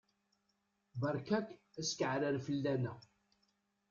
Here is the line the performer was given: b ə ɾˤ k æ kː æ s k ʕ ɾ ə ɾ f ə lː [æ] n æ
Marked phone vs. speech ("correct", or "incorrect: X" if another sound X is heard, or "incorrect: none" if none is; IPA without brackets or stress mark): correct